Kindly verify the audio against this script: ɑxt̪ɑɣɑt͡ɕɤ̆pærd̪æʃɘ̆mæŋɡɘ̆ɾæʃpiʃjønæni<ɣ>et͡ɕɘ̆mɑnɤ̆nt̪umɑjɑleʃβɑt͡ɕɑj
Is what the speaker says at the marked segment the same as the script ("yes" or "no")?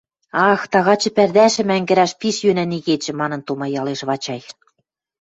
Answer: yes